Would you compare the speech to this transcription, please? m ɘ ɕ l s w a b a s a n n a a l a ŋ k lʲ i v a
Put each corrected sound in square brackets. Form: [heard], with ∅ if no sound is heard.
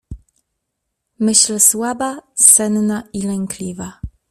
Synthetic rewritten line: m ɘ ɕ l s w a b a s [ɛ] n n a [i] l [ɛ] ŋ k lʲ i v a